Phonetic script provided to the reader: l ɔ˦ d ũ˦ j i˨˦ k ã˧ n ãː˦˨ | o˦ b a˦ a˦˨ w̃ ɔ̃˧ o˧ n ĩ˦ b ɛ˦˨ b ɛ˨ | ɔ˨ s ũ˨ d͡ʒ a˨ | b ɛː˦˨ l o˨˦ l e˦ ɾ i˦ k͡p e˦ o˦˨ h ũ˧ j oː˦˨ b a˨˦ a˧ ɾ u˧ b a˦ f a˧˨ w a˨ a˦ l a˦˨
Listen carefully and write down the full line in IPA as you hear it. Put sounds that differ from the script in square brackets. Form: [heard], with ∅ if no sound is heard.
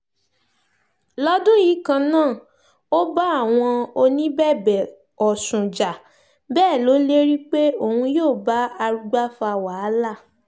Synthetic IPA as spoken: l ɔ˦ d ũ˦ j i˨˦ k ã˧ n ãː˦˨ | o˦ b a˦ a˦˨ w̃ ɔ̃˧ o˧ n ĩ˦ b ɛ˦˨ b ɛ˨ | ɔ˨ s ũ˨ d͡ʒ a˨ | b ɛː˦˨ l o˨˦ l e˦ ɾ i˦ k͡p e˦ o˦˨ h ũ˧ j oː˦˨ b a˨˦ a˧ ɾ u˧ [ɡ͡b] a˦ f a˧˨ w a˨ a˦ l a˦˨